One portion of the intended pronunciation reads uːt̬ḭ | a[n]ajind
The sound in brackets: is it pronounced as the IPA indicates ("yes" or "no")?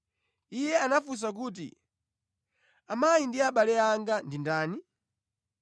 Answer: no